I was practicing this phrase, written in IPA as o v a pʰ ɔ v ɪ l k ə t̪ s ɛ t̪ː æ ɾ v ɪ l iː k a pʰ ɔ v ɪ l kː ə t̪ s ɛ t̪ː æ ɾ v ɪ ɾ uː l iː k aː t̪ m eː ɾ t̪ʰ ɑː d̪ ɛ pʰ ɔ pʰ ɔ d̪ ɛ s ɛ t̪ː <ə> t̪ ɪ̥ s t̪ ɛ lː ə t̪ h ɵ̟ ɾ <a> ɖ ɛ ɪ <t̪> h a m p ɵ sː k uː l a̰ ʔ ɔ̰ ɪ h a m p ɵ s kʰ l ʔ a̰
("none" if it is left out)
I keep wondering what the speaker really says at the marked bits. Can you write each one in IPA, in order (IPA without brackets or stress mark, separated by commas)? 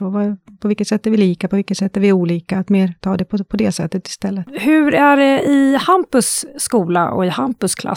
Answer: ə, æ, none